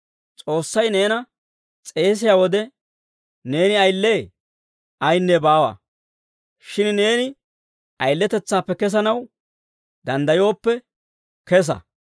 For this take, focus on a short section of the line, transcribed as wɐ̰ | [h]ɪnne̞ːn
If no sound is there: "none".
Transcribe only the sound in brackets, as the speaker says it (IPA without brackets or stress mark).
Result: ʃ